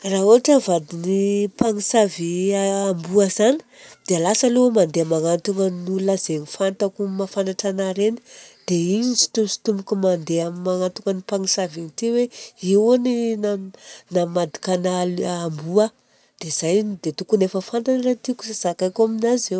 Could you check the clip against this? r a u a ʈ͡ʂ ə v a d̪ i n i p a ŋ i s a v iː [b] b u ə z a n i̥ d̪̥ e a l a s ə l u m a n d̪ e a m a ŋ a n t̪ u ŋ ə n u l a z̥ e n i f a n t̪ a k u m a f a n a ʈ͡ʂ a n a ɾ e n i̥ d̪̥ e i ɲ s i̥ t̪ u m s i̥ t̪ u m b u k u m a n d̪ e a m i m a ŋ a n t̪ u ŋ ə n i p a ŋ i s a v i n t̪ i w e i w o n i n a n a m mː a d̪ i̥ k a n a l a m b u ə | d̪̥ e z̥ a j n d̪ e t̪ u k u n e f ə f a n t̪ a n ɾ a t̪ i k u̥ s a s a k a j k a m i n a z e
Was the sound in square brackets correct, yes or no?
no